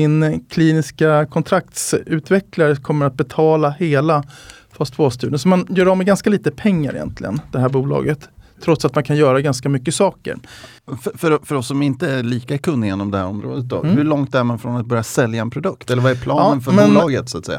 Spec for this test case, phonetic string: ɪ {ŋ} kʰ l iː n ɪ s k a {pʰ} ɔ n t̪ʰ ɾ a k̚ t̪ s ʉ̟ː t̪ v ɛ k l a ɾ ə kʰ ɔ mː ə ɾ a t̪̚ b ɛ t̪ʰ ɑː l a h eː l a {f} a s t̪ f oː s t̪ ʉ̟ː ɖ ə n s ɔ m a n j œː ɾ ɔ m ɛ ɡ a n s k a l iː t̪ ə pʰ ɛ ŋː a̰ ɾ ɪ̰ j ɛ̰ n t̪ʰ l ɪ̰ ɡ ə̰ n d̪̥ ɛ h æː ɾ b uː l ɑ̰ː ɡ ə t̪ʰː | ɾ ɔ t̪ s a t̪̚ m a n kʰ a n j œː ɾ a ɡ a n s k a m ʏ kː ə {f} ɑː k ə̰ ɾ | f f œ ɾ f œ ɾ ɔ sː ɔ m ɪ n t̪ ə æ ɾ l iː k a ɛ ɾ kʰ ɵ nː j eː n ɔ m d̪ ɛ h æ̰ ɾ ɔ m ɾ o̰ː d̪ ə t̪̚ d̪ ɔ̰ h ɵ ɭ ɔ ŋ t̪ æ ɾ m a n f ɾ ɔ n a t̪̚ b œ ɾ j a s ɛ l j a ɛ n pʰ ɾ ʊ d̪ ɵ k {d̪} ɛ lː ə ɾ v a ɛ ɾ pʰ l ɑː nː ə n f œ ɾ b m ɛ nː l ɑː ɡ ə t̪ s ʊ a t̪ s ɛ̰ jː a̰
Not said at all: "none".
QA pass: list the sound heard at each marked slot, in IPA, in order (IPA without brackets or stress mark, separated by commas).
n, kʰ, f, s, t̪